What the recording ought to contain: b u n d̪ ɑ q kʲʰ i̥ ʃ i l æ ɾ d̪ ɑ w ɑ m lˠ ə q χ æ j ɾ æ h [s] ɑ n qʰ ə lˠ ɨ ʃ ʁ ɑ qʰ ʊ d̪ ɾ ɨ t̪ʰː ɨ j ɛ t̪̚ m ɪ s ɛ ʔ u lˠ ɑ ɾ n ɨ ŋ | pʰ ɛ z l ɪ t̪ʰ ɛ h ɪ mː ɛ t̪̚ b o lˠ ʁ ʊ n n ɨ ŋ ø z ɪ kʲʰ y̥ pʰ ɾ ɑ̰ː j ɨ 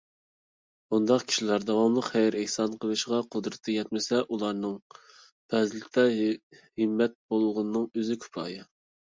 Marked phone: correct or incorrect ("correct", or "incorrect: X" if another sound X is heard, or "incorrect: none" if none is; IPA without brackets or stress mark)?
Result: correct